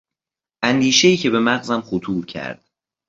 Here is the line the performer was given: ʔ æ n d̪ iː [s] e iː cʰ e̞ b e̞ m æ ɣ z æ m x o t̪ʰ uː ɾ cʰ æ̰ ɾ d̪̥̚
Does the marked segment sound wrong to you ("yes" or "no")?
yes